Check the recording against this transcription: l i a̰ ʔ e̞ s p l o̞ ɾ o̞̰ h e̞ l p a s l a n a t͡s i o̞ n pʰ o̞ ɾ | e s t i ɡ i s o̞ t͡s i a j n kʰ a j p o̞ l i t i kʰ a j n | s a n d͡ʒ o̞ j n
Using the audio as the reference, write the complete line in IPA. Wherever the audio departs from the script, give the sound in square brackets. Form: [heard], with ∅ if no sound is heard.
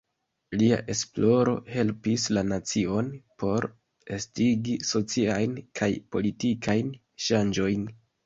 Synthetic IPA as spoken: l i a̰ ʔ e̞ s p l o̞ ɾ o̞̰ h e̞ l p [i] s l a n a t͡s i o̞ n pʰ o̞ ɾ | e s t i ɡ i s o̞ t͡s i a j n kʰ a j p o̞ l i t i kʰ a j n | [ʃ] a n d͡ʒ o̞ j n